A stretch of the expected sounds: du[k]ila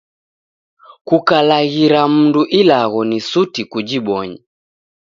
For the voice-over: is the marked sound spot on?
no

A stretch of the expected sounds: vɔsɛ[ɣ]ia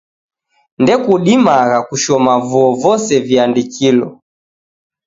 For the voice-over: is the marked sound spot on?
no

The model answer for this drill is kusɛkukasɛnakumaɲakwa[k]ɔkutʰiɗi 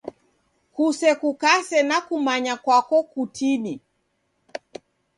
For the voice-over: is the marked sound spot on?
yes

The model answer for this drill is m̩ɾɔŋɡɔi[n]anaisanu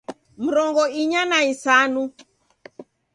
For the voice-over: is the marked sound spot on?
no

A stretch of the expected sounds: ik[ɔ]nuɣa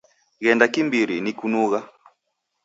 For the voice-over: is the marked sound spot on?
no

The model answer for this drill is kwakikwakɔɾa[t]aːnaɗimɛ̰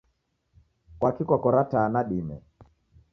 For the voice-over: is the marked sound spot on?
yes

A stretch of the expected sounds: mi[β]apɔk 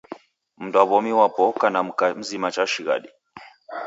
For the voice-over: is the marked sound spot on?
no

